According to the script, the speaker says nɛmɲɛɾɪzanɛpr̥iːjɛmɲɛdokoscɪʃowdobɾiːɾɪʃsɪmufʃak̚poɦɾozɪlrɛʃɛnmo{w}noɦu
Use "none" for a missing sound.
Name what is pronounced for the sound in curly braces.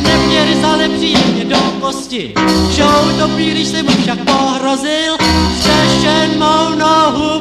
w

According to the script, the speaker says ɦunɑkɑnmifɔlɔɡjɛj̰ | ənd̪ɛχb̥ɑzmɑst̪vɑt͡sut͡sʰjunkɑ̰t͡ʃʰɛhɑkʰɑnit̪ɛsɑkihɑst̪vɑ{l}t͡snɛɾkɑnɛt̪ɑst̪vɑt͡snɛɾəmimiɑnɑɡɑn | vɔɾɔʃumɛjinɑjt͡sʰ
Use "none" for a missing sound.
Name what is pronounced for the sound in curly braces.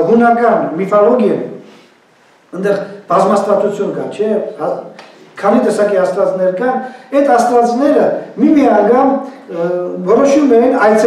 none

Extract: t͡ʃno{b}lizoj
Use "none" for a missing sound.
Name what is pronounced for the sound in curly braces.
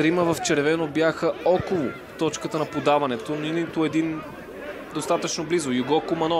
b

